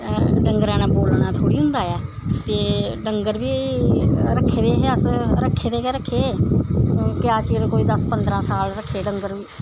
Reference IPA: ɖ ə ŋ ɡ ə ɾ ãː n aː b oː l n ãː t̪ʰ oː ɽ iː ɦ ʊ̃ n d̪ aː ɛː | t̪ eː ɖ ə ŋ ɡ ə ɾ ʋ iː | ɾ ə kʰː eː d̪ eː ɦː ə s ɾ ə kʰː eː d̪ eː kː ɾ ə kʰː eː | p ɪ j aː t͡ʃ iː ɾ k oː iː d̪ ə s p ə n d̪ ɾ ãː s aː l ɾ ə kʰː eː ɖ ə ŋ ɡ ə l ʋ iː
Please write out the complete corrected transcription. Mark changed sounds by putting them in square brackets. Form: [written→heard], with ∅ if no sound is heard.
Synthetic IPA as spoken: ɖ ə ŋ ɡ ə ɾ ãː n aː b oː l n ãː t̪ʰ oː ɽ iː ɦ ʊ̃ n d̪ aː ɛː | t̪ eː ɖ ə ŋ ɡ ə ɾ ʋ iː | ɾ ə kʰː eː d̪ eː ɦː ə s ɾ ə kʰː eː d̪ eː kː ɾ ə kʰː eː | [p→k] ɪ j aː t͡ʃ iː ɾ k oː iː d̪ ə s p ə n d̪ ɾ ãː s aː l ɾ ə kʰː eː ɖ ə ŋ ɡ ə [l→ɾ] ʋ iː